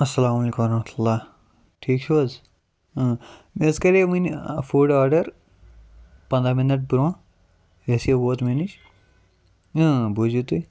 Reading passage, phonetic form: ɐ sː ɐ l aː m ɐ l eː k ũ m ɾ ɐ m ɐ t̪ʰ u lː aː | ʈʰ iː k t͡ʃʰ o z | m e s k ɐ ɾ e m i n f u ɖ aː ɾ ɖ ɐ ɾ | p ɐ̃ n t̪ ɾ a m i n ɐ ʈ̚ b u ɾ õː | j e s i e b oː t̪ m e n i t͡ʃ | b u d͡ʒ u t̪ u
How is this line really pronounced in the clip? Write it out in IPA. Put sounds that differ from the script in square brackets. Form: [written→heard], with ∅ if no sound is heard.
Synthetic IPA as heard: ɐ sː ɐ l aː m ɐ l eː k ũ m ɾ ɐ m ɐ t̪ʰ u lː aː | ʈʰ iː k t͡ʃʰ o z | m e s k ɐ ɾ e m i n f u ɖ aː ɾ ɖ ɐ ɾ | p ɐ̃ n [t̪→d̪] ɾ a m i n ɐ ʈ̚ b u ɾ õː | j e s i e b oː t̪ m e n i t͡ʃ | b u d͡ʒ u t̪ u